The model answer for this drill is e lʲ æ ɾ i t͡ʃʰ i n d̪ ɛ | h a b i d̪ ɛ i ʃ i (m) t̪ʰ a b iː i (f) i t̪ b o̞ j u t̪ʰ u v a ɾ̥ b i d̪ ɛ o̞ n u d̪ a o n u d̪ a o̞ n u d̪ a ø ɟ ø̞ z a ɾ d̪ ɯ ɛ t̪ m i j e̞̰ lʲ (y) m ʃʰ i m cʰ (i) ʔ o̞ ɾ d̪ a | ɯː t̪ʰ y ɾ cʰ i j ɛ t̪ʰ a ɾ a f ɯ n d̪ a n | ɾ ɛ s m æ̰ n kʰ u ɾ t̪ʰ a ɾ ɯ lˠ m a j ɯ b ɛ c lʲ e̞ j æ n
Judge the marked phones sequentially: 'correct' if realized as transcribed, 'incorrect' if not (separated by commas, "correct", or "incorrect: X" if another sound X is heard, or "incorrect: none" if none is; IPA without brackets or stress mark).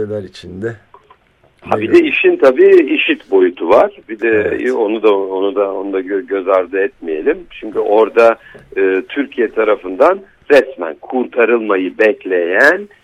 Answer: incorrect: n, incorrect: ʃ, incorrect: i, incorrect: y